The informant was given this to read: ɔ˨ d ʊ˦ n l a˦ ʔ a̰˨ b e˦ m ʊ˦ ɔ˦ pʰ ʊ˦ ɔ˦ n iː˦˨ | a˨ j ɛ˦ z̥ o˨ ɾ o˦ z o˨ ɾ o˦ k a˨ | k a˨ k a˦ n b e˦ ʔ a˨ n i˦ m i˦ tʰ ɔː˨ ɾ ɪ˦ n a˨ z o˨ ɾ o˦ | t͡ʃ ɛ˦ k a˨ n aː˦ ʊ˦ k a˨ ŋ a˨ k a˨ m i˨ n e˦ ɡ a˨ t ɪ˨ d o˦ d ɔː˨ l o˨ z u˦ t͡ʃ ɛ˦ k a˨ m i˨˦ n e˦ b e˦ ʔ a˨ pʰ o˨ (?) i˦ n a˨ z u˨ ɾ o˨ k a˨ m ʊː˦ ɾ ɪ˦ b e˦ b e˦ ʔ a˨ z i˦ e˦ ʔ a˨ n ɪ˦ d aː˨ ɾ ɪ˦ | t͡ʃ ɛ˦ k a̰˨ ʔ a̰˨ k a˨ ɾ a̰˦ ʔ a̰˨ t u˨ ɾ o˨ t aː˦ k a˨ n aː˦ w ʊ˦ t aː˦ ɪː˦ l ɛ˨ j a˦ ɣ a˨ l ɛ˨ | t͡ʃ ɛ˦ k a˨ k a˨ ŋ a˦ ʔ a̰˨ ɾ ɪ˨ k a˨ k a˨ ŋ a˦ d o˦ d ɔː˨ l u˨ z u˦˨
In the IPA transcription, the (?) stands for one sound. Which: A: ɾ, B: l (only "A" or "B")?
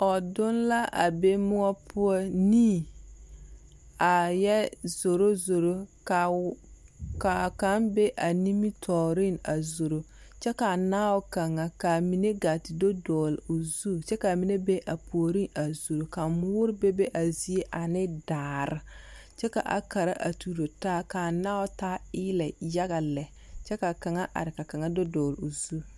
A